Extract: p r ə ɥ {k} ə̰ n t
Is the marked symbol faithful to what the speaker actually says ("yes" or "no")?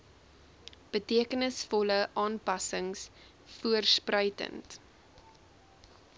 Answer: no